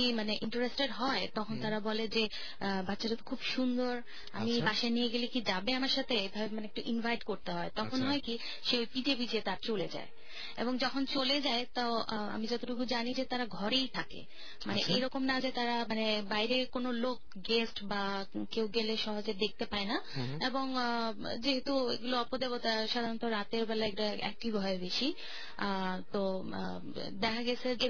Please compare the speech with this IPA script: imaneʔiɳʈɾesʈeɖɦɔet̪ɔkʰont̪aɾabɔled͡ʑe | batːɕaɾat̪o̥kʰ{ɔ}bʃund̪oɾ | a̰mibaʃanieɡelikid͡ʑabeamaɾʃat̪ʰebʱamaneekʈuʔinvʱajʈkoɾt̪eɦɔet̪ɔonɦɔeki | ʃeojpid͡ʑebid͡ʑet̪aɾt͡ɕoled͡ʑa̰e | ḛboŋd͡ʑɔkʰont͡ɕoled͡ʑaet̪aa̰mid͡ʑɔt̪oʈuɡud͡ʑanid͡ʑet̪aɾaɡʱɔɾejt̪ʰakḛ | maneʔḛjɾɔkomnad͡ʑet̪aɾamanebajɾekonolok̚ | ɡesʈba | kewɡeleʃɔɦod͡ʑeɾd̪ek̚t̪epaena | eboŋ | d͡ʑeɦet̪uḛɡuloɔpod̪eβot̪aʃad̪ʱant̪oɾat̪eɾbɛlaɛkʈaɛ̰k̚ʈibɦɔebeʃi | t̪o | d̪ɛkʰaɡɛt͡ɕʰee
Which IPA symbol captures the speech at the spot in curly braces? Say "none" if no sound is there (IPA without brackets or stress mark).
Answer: u